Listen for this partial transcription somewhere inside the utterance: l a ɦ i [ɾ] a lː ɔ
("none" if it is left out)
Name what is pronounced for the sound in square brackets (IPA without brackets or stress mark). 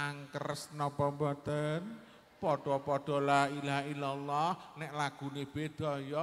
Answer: l